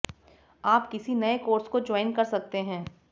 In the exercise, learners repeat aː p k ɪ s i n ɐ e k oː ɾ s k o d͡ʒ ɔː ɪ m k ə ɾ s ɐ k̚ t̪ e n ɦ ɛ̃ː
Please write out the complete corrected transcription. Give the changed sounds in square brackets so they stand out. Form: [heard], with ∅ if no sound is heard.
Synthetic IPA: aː p k ɪ s i n ɐ e k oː ɾ s k o d͡ʒ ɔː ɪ [n] k [ɐ] ɾ s ɐ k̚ t̪ e [∅] ɦ ɛ̃ː